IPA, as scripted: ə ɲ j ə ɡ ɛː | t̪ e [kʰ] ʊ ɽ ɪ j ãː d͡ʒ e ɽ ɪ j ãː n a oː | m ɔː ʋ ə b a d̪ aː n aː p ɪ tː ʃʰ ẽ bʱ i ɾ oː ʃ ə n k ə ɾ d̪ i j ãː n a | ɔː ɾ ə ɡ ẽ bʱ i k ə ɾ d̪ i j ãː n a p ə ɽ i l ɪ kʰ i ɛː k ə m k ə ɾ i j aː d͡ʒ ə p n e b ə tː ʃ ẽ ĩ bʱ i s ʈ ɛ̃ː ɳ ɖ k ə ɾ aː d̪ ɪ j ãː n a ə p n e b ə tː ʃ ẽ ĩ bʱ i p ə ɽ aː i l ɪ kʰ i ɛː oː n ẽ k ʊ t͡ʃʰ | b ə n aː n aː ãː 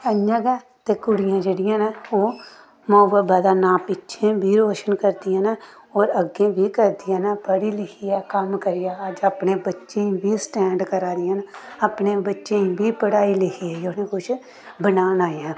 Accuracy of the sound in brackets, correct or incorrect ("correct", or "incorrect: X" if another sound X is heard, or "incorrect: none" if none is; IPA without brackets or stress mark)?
incorrect: k